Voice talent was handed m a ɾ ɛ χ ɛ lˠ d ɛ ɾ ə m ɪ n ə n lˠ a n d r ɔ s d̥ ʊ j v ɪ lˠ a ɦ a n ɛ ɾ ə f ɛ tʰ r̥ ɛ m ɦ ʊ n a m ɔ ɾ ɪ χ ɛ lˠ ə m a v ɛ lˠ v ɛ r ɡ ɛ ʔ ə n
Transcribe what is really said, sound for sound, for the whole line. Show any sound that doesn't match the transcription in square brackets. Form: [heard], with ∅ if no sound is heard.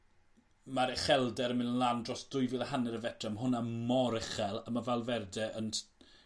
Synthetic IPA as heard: m a ɾ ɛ χ ɛ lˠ d ɛ ɾ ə m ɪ n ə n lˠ a n d r ɔ s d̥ ʊ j v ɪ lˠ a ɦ a n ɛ ɾ ə [v] ɛ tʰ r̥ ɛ m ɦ ʊ n a m ɔ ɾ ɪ χ ɛ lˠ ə m a v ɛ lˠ v ɛ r [d] ɛ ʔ ə n